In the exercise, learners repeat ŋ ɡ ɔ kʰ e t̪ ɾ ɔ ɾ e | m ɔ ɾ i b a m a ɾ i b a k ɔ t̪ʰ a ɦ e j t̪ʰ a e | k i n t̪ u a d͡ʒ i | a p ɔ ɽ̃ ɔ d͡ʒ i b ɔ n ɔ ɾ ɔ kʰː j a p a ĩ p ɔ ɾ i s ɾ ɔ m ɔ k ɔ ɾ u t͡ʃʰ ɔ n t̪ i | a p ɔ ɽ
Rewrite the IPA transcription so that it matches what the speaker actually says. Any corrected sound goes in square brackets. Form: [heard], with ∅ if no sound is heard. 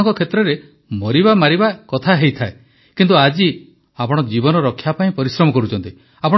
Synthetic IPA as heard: ŋ [k] ɔ kʰ e t̪ ɾ ɔ ɾ e | m ɔ ɾ i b a m a ɾ i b a k ɔ t̪ʰ a ɦ e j t̪ʰ a e | k i n t̪ u a d͡ʒ i | a p ɔ ɽ̃ ɔ d͡ʒ i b ɔ n ɔ ɾ ɔ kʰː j a p a ĩ p ɔ ɾ i s ɾ ɔ m ɔ k ɔ ɾ u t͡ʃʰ ɔ n t̪ i | a p ɔ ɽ